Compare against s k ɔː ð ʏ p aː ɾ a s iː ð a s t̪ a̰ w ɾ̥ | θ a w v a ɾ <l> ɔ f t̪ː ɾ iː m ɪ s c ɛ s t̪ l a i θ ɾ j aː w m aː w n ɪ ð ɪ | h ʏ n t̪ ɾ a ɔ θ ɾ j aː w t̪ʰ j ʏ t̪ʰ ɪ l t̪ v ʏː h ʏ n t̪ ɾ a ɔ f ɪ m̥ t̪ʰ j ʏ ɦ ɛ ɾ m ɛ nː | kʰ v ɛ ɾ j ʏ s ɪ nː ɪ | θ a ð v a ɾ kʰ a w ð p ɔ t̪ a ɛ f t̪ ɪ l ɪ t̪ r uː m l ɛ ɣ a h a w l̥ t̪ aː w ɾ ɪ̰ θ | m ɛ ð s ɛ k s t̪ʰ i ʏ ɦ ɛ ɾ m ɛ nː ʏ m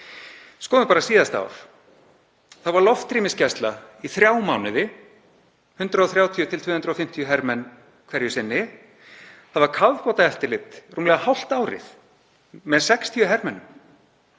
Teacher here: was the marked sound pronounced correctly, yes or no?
yes